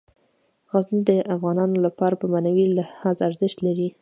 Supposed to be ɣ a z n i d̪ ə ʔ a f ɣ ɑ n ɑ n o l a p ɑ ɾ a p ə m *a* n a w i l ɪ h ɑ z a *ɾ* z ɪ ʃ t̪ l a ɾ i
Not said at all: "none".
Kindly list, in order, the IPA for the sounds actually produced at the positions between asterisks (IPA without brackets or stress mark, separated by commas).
a, ɾ